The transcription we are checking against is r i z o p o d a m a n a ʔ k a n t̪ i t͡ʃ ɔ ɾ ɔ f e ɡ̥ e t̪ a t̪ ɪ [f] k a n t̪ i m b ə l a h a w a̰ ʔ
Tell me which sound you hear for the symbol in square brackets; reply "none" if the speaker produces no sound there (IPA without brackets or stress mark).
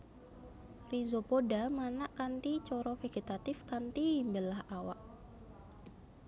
f